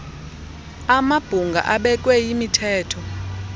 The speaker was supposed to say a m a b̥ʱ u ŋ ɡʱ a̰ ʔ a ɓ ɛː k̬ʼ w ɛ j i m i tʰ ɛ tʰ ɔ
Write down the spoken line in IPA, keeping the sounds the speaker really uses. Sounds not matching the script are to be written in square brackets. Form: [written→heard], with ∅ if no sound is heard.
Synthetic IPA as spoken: a m a b̥ʱ u ŋ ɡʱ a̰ ʔ a ɓ [ɛː→ɛ] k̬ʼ w ɛ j i m i tʰ [ɛ→ɛː] tʰ ɔ